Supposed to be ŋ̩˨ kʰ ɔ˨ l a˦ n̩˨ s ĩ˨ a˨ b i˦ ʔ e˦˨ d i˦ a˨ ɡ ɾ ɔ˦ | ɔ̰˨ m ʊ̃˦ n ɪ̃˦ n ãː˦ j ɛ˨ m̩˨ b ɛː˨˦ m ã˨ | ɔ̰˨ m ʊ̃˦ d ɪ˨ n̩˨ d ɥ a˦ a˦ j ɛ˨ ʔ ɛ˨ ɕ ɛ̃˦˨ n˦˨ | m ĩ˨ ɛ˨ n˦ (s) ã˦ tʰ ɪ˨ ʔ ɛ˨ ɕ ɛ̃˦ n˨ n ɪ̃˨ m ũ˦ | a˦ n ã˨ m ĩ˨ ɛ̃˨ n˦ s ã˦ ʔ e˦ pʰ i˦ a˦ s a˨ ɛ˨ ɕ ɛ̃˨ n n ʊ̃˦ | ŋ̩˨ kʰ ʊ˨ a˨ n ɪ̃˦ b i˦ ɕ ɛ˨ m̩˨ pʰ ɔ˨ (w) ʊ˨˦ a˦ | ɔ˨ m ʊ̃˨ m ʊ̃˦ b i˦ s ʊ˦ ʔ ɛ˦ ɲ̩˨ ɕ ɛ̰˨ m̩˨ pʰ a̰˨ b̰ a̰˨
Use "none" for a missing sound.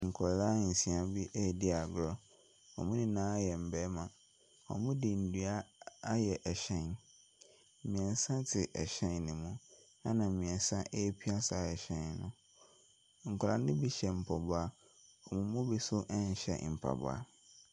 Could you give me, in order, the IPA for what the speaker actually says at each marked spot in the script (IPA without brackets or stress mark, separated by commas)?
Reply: s, b